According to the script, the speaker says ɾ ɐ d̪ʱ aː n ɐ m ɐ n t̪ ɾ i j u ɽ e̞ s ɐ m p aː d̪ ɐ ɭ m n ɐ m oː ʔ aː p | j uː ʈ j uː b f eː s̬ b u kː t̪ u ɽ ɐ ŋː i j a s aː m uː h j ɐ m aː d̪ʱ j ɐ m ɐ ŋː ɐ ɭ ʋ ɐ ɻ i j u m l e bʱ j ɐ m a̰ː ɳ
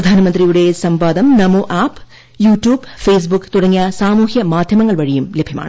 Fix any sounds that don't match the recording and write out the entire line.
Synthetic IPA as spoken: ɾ ɐ d̪ʱ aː n ɐ m ɐ n d̪ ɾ i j u ɽ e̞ s ɐ m p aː d̪ ɐ m n ɐ m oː ʔ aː p | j uː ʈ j uː b f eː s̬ b u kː t̪ u ɽ ɐ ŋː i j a s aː m uː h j ɐ m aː d̪ʱ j ɐ m ɐ ŋː ɐ ɭ ʋ ɐ ɻ i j u m l e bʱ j ɐ m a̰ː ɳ